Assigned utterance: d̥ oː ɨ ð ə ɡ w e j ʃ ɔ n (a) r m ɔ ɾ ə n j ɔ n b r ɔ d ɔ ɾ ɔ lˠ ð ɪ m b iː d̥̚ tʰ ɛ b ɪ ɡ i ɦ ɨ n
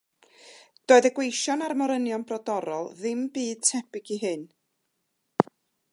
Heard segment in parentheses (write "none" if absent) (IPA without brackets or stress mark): a